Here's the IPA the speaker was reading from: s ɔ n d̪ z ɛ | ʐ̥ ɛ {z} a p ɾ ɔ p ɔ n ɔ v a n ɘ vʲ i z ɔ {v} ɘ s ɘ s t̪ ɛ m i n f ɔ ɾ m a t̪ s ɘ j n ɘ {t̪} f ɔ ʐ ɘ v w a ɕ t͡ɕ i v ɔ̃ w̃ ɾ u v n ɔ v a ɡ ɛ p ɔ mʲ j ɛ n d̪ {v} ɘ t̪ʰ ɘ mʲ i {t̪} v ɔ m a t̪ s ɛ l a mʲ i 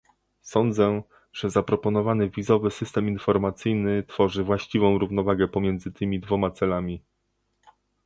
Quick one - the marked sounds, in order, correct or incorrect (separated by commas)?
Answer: correct, correct, correct, incorrect, incorrect